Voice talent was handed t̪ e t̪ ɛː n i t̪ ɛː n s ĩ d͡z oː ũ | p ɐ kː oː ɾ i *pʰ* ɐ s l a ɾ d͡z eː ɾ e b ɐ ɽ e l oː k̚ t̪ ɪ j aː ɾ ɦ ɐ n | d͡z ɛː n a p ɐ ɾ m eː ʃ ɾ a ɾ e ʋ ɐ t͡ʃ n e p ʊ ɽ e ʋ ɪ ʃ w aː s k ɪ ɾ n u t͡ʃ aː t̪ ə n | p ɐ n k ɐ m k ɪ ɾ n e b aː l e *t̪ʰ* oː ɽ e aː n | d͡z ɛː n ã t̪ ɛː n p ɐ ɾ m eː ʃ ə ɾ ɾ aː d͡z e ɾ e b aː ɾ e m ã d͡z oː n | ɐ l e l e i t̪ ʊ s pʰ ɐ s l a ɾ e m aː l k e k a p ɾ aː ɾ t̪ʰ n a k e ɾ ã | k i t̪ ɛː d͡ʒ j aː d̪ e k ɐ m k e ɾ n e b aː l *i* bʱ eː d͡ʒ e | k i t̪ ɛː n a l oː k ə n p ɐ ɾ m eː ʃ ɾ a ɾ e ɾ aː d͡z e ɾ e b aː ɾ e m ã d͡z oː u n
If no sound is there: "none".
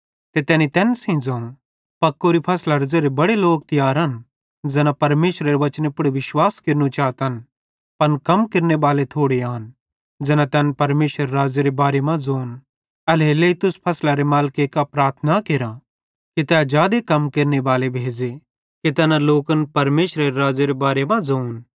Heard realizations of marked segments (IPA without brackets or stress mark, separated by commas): pʰ, t̪ʰ, e